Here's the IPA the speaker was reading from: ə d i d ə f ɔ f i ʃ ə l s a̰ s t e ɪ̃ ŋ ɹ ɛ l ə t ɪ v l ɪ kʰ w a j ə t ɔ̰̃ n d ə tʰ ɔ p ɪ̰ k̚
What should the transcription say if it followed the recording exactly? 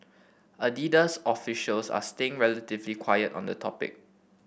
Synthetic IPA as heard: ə d i d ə s ɔ f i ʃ ə l s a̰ s t e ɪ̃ ŋ ɹ ɛ l ə t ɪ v l i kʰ w a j ə t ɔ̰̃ n d ə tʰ ɔ p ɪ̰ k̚